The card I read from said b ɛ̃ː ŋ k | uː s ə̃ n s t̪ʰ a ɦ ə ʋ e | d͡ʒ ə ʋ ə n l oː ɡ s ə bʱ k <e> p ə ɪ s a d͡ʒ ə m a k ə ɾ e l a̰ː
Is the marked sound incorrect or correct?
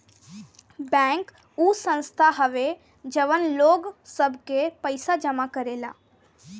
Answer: correct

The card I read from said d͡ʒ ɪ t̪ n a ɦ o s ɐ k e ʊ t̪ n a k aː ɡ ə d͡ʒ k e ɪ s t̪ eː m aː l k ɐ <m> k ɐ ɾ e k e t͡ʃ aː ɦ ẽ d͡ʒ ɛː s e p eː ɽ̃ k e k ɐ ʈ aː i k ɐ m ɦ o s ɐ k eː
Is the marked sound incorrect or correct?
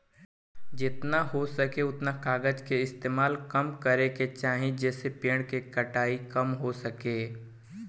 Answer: correct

